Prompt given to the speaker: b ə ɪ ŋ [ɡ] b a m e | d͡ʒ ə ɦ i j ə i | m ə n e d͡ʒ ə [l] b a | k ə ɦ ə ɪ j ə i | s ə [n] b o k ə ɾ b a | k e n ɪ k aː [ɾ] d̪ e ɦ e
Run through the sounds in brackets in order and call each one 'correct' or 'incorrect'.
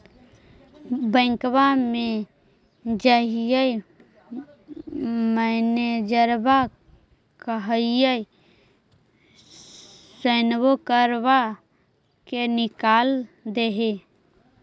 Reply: incorrect: k, incorrect: ɾ, correct, incorrect: l

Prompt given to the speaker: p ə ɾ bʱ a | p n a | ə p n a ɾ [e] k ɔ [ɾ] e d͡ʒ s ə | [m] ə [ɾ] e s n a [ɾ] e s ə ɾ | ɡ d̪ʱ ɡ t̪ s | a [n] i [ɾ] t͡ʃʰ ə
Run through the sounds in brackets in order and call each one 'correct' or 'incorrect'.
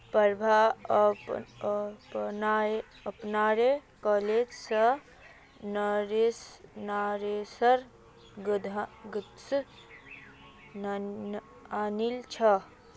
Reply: correct, incorrect: l, incorrect: n, correct, correct, correct, incorrect: l

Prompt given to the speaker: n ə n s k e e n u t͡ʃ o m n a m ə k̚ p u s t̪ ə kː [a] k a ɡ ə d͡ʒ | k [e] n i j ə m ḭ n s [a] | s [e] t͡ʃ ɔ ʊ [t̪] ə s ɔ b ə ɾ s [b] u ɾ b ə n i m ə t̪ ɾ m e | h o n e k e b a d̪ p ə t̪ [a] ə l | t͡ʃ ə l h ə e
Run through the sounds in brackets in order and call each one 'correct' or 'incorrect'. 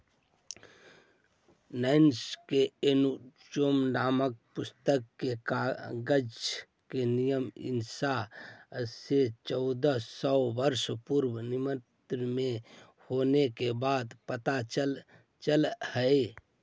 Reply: incorrect: e, correct, correct, correct, incorrect: d̪, incorrect: p, correct

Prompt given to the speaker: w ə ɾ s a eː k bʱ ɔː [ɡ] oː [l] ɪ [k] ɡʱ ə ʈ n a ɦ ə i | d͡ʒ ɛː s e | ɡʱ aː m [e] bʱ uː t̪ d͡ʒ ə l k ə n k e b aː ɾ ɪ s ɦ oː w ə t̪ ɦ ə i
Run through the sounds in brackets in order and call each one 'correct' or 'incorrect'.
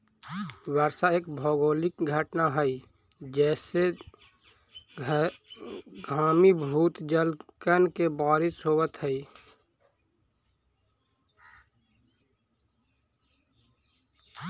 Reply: correct, correct, correct, incorrect: i

